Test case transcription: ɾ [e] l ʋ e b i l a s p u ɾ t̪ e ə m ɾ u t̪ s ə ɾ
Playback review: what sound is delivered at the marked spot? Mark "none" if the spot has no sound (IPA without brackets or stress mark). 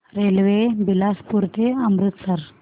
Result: e